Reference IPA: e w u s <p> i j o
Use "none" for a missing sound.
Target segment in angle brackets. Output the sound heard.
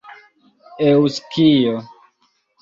k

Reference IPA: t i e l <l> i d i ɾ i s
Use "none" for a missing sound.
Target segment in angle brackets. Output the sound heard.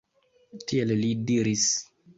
l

